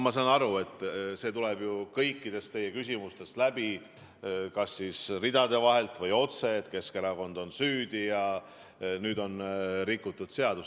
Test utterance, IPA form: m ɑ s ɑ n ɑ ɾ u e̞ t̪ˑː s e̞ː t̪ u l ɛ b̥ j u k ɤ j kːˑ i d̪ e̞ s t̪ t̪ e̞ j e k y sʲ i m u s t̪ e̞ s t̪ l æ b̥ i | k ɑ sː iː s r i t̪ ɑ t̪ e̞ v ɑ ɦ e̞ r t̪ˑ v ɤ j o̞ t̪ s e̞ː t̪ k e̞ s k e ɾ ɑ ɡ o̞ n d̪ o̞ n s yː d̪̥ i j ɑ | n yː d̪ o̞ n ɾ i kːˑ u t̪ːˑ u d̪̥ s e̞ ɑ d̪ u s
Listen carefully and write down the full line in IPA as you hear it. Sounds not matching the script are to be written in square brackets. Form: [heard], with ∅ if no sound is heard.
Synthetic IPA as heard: m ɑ s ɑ n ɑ ɾ u e̞ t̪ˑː s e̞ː t̪ u l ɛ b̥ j u k ɤ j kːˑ i d̪ e̞ s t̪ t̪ e̞ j e k y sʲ i m u s t̪ e̞ s t̪ l æ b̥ i | k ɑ sː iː s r i [d̪] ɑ [d̪] e̞ v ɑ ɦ e̞ [l] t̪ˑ v ɤ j o̞ t̪ s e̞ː t̪ k e̞ s k e ɾ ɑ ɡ o̞ n d̪ o̞ n s yː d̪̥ i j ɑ | n yː d̪ o̞ n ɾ i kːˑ u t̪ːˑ u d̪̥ s e̞ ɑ d̪ u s